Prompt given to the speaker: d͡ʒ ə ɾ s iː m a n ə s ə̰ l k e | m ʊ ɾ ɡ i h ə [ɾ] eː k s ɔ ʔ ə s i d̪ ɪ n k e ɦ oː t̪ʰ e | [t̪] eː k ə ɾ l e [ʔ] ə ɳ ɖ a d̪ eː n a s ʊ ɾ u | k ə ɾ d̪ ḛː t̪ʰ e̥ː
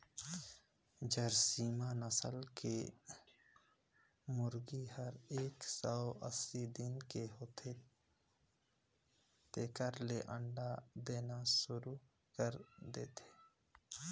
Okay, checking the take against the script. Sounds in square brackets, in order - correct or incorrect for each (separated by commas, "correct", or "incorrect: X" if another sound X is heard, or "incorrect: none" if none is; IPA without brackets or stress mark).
correct, correct, correct